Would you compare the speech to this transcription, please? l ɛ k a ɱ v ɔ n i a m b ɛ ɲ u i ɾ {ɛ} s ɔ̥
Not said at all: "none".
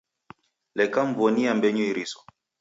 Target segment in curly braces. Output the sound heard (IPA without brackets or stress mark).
i